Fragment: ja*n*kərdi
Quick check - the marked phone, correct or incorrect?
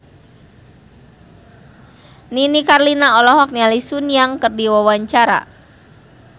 incorrect